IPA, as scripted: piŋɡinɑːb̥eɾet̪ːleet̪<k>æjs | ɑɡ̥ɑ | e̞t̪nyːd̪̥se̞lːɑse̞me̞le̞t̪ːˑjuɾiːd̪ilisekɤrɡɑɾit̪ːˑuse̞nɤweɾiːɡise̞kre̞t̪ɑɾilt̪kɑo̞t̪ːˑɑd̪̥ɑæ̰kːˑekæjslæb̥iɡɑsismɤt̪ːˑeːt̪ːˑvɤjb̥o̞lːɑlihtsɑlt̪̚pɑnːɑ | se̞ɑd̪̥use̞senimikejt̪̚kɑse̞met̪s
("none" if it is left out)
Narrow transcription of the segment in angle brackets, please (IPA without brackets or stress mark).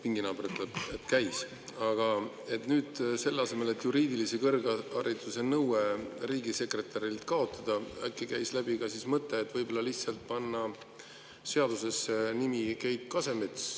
k